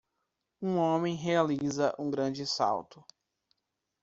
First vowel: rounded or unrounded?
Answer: rounded